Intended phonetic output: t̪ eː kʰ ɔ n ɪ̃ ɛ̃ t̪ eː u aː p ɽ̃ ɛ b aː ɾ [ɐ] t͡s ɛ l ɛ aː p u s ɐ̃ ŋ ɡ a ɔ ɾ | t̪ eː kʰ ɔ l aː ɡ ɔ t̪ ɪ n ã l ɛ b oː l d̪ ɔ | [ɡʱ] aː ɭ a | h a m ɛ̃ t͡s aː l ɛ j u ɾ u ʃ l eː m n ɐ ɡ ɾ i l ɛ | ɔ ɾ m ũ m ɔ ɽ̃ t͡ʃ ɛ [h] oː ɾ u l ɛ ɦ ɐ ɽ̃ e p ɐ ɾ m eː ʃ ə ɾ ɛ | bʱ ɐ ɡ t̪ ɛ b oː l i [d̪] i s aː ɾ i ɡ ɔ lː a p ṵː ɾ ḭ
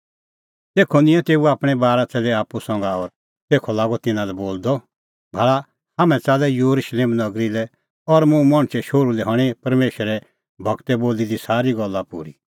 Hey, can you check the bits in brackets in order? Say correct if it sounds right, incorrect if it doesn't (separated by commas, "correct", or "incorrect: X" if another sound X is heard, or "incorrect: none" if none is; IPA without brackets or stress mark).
incorrect: a, incorrect: bʱ, incorrect: ʃ, correct